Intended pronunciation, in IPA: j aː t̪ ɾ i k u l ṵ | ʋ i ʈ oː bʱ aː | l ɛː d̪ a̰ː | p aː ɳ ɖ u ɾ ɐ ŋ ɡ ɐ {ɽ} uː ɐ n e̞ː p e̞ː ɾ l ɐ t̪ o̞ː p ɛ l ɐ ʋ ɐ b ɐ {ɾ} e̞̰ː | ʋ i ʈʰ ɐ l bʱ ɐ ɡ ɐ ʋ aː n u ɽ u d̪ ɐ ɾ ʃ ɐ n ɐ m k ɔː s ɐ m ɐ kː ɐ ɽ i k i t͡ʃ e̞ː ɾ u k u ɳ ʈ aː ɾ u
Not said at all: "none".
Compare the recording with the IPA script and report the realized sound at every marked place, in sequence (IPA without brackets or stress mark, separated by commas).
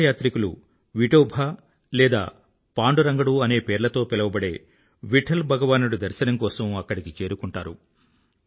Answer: ɽ, ɽ